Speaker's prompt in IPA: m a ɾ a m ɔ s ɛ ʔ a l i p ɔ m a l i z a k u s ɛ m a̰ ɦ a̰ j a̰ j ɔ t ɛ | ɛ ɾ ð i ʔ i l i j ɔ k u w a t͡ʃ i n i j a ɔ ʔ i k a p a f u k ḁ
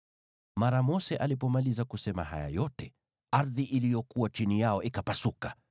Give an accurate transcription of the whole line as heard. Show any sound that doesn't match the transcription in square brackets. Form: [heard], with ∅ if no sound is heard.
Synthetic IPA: m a ɾ a m ɔ s ɛ ʔ a l i p ɔ m a l i z a k u s ɛ m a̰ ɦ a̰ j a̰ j ɔ t ɛ | [a] ɾ ð i ʔ i l i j ɔ k u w a t͡ʃ i n i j a ɔ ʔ i k a p a [s] u k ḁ